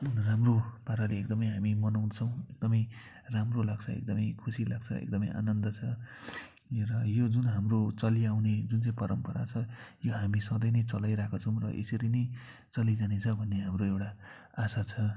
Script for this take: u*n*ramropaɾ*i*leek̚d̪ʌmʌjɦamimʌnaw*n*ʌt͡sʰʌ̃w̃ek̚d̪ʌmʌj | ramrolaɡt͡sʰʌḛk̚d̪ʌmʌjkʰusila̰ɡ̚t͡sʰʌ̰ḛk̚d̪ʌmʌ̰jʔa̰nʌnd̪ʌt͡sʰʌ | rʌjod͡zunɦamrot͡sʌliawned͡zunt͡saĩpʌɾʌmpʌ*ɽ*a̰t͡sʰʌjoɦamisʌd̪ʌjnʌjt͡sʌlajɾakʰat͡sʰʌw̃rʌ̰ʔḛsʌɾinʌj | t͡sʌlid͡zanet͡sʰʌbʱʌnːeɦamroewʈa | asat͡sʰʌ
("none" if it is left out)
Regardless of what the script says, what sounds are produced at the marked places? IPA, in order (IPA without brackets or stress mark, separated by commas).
n, a, n, ɾ